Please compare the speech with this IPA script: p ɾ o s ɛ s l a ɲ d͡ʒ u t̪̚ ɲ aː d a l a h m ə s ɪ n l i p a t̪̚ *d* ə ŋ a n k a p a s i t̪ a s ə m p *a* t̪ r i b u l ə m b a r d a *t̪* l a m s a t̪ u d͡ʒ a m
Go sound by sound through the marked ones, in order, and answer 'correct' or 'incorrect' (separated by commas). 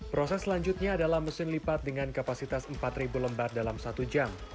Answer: correct, correct, incorrect